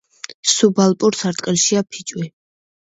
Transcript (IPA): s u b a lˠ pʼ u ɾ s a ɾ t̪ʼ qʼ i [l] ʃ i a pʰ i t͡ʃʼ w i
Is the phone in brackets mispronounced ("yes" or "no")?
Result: no